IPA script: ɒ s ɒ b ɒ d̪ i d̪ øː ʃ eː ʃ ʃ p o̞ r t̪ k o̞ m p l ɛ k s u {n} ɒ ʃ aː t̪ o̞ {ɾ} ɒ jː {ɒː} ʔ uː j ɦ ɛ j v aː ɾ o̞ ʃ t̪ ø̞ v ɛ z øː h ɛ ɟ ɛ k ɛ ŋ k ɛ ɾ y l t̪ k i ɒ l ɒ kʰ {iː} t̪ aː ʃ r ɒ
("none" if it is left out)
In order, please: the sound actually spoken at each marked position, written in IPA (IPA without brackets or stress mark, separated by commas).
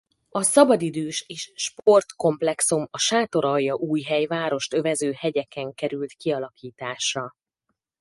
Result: m, ɾ, ɒ, iː